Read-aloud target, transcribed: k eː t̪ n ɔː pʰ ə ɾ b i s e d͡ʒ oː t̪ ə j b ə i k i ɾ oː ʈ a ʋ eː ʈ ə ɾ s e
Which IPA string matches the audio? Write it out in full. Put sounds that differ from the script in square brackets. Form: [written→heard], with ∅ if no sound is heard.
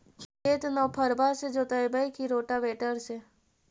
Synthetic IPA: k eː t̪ n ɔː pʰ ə ɾ b [i→a] s e d͡ʒ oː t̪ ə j b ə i k i ɾ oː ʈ a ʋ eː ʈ ə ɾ s e